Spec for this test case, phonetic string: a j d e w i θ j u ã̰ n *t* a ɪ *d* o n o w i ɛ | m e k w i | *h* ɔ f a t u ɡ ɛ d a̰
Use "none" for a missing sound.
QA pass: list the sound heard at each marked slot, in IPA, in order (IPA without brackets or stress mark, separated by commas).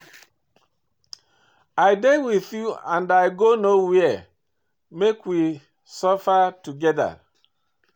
d, ɡ, s